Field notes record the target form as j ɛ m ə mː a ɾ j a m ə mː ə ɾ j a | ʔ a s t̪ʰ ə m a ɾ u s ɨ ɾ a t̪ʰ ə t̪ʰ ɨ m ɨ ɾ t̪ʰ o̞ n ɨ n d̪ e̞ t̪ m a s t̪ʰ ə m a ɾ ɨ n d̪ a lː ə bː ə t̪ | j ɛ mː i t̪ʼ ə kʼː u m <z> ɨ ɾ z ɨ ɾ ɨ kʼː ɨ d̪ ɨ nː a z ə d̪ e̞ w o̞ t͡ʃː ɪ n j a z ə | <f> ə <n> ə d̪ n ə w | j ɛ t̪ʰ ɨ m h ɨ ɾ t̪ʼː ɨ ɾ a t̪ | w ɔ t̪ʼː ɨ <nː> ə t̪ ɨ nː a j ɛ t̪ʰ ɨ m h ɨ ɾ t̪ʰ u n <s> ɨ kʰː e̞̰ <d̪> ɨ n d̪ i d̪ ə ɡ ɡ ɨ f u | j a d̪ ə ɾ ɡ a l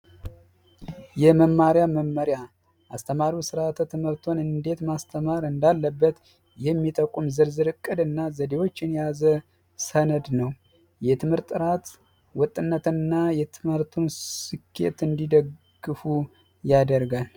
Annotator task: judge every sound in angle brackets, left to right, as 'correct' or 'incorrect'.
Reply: correct, incorrect, correct, correct, correct, incorrect

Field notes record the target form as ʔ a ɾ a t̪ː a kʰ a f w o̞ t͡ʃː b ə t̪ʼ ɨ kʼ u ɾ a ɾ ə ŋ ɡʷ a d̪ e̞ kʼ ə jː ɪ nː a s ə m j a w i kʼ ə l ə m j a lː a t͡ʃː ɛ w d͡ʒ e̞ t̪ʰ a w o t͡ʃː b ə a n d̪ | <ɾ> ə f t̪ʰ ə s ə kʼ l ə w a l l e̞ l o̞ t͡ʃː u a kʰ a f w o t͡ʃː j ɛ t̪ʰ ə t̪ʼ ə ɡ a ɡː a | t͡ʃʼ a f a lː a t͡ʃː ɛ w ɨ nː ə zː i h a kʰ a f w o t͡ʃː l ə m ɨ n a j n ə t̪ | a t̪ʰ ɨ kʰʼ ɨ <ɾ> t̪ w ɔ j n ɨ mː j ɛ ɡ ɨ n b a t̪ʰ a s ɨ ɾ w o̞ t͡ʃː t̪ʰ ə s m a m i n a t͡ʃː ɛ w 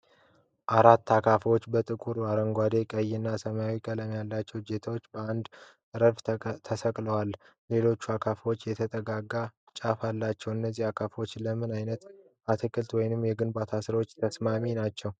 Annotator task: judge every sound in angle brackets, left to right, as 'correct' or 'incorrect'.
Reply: correct, incorrect

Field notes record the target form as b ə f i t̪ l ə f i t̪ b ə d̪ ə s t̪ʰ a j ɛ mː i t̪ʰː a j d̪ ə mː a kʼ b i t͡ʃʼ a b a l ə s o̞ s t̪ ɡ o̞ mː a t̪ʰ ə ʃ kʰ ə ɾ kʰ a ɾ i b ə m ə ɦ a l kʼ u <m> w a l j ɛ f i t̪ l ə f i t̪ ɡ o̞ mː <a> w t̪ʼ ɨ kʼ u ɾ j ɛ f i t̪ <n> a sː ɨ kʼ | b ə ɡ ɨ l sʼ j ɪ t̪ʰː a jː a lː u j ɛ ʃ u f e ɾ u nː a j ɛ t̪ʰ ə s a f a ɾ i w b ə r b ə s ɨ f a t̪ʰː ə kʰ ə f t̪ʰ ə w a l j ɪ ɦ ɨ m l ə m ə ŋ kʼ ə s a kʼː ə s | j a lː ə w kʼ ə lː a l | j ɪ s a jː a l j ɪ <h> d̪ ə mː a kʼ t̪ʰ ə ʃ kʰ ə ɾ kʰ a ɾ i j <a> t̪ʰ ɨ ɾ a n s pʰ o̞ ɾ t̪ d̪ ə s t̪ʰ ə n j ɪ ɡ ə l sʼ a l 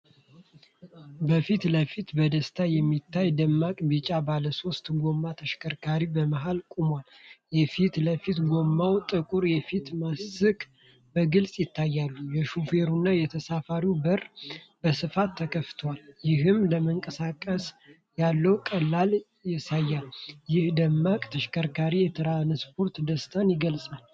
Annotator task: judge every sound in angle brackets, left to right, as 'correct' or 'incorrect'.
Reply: correct, correct, incorrect, correct, incorrect

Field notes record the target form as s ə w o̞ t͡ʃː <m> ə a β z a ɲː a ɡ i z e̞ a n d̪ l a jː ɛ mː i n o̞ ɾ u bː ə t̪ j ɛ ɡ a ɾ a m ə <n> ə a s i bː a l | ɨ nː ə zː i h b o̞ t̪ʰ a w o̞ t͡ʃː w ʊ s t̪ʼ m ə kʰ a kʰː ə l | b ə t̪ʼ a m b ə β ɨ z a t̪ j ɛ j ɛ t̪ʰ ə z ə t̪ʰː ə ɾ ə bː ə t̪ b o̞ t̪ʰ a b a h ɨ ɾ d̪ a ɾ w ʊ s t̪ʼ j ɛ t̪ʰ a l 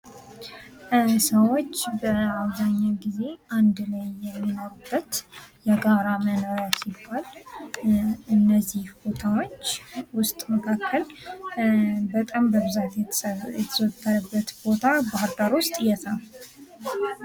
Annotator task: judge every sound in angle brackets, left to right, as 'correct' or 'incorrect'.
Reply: incorrect, correct

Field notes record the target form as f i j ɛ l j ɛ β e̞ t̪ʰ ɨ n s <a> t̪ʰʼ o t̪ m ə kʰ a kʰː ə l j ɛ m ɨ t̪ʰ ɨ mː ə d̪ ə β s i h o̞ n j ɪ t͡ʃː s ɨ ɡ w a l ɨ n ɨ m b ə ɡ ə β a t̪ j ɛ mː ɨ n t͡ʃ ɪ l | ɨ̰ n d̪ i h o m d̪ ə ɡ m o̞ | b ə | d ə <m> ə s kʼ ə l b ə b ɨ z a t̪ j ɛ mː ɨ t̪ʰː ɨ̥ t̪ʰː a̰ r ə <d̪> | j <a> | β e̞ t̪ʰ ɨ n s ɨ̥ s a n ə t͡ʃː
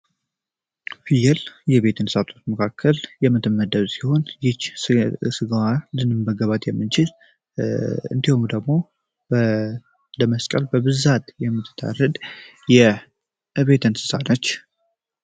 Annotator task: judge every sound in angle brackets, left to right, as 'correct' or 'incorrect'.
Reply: correct, correct, correct, incorrect

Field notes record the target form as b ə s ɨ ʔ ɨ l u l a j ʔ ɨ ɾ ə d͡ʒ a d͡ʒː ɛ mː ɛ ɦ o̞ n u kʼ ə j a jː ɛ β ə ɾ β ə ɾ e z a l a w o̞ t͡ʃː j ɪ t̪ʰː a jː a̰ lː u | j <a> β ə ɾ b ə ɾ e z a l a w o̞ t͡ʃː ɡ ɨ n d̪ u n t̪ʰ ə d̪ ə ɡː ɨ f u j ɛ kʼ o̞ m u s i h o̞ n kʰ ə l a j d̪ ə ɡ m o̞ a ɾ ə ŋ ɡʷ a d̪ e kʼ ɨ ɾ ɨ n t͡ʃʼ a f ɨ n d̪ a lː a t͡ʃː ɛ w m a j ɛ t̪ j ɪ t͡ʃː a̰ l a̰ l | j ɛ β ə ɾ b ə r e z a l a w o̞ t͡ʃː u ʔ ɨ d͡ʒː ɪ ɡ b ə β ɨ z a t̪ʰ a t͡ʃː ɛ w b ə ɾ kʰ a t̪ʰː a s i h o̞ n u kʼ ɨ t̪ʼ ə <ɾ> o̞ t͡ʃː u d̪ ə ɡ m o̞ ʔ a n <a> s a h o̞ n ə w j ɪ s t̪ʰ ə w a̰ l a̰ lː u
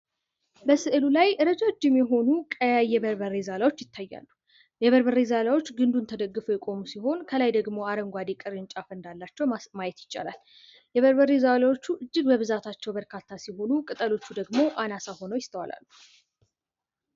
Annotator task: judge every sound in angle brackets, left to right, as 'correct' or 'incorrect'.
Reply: incorrect, incorrect, correct

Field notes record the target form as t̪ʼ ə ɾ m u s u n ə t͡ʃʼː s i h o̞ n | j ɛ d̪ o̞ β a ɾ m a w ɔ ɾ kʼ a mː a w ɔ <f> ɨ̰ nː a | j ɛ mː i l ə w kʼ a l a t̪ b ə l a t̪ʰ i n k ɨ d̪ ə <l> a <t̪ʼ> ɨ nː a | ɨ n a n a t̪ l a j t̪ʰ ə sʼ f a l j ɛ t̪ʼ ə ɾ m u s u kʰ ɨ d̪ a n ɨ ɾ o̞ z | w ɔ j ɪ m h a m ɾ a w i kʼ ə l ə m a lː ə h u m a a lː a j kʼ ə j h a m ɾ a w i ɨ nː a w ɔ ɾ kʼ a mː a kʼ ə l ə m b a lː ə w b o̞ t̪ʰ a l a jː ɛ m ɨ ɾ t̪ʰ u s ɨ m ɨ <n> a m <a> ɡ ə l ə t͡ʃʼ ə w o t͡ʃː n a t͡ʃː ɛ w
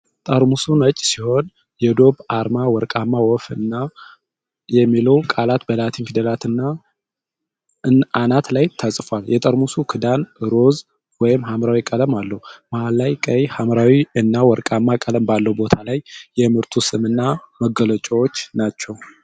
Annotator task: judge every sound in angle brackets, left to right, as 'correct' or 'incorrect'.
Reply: correct, correct, incorrect, incorrect, incorrect

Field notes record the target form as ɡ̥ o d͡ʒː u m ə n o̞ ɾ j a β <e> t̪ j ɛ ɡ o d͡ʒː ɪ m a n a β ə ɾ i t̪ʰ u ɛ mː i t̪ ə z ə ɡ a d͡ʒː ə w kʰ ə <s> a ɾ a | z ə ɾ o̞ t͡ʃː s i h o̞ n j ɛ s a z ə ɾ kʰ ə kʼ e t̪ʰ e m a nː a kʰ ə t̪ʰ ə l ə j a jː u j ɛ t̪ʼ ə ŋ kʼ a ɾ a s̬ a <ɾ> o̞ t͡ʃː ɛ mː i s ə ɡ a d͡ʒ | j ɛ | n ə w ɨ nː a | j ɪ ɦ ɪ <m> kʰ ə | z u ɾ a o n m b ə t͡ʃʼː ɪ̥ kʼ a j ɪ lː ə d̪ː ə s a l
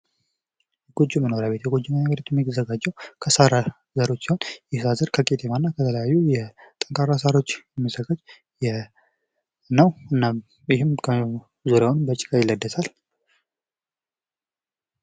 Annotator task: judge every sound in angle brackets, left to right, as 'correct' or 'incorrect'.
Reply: correct, correct, correct, correct

